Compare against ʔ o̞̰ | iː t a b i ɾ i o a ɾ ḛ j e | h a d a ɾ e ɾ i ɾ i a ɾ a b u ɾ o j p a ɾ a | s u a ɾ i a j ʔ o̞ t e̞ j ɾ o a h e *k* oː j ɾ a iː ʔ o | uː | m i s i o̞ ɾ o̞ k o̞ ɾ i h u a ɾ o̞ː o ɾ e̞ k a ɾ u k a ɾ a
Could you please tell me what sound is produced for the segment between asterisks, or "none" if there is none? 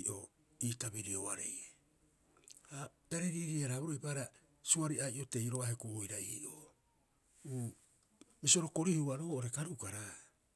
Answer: k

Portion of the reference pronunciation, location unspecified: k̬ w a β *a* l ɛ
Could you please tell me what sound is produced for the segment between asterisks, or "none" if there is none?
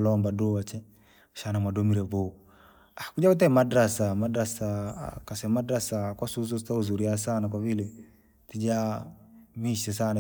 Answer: i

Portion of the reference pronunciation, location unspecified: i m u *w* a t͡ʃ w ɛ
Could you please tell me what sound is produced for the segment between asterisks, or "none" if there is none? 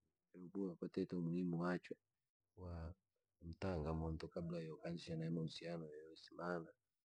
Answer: w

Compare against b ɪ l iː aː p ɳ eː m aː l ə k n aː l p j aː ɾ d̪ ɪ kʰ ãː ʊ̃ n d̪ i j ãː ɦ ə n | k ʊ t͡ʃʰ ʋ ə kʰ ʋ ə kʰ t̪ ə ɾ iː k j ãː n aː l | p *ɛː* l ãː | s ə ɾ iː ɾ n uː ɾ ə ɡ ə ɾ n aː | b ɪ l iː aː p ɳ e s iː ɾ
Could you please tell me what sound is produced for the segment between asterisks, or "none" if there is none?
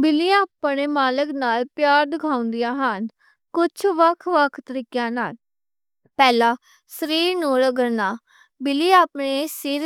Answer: ɛː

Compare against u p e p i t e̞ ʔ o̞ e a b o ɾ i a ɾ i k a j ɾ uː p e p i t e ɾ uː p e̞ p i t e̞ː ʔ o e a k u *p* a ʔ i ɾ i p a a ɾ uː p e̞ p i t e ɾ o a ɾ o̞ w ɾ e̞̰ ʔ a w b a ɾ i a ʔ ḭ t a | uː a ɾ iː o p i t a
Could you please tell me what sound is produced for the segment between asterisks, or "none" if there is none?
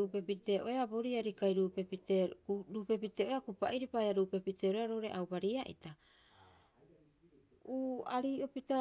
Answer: p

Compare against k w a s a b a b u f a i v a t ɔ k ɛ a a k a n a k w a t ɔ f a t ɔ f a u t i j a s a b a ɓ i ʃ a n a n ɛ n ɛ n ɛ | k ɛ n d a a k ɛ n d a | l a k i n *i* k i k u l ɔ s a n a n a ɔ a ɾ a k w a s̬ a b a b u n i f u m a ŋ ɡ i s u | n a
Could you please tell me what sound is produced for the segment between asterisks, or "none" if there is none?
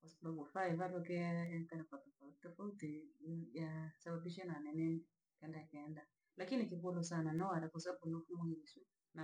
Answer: i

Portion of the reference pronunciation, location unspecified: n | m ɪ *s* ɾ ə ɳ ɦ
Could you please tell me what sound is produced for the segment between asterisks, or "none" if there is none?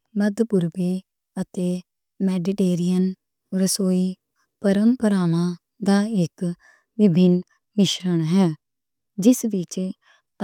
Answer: ʃ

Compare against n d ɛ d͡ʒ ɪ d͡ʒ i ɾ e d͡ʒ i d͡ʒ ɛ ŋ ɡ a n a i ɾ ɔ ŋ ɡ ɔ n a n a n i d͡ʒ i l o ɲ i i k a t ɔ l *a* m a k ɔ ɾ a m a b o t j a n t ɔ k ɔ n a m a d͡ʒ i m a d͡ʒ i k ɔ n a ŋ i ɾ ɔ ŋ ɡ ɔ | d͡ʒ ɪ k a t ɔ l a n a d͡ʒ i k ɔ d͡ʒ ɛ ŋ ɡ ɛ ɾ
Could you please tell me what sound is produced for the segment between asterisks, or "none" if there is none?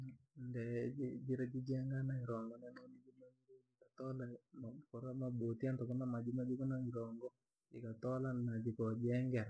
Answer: a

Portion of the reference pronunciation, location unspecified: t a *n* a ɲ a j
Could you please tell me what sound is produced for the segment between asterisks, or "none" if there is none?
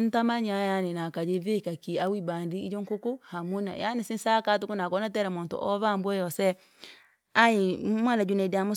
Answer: m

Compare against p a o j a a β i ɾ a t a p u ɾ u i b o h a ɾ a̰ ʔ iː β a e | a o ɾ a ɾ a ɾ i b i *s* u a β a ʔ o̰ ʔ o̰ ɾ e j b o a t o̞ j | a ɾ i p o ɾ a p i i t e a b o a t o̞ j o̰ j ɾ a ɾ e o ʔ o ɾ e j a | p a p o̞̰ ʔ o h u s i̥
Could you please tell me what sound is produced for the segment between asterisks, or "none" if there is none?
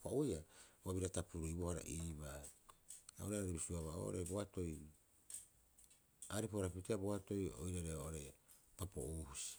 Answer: s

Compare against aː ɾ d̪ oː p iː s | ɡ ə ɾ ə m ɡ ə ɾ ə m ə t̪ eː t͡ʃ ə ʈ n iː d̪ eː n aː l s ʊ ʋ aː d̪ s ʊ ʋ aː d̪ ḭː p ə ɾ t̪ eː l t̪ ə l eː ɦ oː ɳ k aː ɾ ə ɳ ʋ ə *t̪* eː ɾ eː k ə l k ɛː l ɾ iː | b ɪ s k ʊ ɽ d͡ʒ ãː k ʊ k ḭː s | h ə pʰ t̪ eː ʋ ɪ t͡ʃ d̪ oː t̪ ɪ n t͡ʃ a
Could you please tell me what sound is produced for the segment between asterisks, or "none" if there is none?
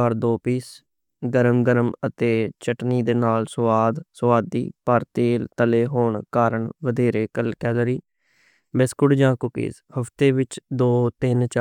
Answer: d̪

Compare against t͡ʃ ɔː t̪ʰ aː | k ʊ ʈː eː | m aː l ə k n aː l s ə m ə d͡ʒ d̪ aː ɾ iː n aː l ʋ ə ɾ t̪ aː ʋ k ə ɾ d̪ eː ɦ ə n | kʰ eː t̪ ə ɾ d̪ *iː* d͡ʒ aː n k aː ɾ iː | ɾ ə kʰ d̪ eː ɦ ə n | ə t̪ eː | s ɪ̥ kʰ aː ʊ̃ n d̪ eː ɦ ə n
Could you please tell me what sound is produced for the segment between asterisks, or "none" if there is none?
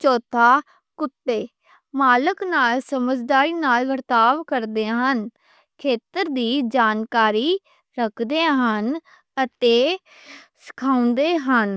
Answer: iː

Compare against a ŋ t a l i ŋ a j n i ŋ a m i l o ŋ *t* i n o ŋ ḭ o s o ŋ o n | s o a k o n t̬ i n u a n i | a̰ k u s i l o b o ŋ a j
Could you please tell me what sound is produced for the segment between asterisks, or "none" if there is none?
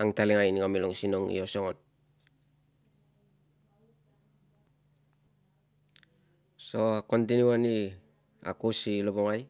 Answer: s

